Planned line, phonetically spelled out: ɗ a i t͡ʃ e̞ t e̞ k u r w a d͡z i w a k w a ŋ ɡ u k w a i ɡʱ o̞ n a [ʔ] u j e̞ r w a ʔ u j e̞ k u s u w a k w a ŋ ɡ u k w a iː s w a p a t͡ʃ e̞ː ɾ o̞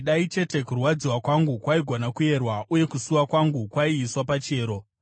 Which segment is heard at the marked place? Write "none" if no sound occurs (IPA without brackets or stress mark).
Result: k